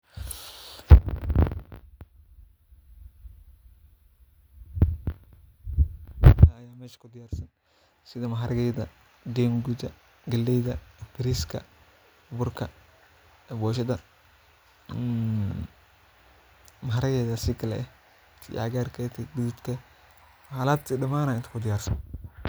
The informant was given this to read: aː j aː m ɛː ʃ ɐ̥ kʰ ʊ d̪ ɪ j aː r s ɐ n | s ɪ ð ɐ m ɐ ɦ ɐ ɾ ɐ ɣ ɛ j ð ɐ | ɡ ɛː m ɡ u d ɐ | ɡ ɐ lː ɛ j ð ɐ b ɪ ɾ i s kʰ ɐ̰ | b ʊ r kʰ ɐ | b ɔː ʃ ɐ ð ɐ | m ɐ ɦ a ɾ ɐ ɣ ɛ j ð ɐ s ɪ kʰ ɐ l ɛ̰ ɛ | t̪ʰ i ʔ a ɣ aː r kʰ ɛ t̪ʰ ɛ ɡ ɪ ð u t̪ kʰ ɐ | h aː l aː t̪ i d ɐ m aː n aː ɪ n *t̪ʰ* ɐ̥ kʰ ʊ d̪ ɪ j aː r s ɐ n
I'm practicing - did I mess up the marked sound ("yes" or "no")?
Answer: yes